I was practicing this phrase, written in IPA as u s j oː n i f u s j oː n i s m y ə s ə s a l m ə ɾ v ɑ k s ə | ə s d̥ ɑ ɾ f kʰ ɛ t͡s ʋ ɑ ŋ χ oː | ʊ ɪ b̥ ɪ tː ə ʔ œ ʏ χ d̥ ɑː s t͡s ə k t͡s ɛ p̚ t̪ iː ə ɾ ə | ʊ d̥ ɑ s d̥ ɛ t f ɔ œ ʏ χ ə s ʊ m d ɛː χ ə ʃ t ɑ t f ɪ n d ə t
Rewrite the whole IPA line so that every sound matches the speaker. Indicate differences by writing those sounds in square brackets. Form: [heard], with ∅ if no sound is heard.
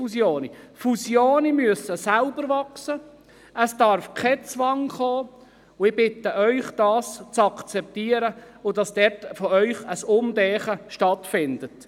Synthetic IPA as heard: u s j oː n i f u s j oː n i [∅] m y ə s ə s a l [b] ə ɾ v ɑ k s ə | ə s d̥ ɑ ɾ f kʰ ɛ t͡s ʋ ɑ ŋ χ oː | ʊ ɪ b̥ ɪ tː ə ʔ œ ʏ χ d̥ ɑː s t͡s [ɑ] k t͡s ɛ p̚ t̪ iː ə ɾ ə | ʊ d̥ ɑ s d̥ ɛ t f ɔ œ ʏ χ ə s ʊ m d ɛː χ ə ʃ t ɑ t f ɪ n d ə t